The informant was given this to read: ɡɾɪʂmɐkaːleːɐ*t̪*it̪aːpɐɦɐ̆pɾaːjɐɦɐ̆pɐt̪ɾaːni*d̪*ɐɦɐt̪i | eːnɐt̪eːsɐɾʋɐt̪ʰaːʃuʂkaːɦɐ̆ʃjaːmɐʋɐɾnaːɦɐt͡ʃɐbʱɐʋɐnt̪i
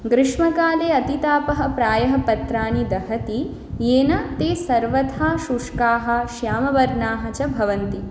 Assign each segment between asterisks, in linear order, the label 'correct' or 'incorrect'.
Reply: correct, correct

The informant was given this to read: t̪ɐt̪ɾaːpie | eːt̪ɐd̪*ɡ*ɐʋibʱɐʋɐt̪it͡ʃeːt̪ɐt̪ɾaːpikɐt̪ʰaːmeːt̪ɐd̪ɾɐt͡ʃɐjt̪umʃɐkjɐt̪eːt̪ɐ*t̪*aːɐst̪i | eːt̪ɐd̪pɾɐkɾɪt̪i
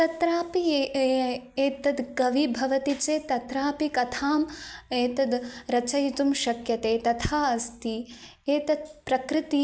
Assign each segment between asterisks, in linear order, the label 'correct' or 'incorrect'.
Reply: correct, incorrect: t̪ʰ

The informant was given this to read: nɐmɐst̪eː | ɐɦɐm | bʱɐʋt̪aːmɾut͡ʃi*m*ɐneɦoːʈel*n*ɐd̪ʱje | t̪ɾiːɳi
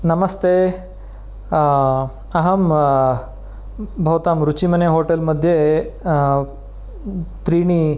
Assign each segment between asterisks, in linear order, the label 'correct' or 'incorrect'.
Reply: correct, incorrect: m

